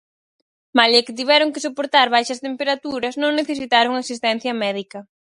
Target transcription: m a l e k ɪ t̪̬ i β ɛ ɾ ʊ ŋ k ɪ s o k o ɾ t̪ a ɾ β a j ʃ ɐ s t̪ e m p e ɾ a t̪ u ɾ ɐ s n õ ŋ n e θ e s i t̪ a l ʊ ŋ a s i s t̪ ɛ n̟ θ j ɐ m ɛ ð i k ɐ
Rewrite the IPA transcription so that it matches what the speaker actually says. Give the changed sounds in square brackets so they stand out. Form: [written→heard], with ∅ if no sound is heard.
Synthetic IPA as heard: m a l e k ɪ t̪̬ i β ɛ ɾ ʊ ŋ k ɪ s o [k→p] o ɾ t̪ a ɾ β a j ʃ ɐ s t̪ e m p e ɾ a t̪ u ɾ ɐ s n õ ŋ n e θ e s i t̪ a [l→ɾ] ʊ ŋ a s i s t̪ ɛ n̟ θ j ɐ m ɛ ð i k ɐ